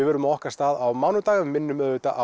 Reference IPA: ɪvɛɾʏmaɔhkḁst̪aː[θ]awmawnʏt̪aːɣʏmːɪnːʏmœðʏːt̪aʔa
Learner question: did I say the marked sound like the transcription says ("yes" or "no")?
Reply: no